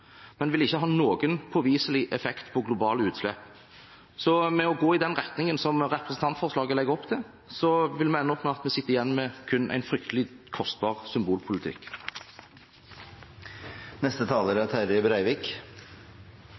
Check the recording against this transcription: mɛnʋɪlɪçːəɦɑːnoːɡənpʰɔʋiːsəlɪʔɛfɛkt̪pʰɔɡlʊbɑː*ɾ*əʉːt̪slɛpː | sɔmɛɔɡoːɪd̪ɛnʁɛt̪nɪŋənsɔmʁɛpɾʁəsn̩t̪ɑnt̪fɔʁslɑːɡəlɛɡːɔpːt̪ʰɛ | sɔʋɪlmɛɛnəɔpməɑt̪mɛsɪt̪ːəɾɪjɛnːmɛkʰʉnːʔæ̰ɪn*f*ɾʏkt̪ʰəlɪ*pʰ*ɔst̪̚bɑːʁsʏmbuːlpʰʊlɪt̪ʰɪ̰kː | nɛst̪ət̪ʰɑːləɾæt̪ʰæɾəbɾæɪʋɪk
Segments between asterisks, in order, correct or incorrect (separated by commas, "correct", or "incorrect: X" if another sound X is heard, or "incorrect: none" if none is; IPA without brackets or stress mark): incorrect: l, correct, incorrect: kʰ